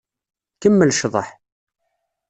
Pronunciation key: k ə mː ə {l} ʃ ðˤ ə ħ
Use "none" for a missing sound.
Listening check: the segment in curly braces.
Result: l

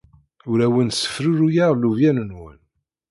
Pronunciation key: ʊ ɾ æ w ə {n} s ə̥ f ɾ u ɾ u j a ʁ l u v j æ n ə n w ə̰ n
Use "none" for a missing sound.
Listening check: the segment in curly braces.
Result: n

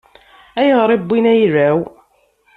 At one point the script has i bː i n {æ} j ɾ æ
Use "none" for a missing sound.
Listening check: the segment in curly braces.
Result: æ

